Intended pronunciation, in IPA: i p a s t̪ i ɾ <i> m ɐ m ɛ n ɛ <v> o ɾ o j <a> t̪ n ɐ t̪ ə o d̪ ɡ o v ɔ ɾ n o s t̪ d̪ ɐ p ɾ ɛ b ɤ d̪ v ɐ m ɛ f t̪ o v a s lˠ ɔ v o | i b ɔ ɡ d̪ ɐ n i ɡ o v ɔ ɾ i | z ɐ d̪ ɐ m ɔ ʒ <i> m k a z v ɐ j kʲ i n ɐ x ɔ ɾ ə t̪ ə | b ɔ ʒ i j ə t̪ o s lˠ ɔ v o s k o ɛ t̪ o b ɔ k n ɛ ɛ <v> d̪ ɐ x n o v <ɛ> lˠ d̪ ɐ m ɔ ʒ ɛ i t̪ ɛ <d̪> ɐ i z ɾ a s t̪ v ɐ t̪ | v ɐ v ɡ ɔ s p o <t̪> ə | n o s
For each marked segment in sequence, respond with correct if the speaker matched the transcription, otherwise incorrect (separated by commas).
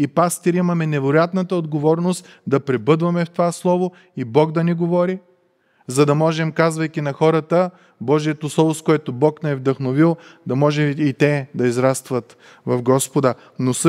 correct, correct, correct, incorrect, correct, incorrect, correct, incorrect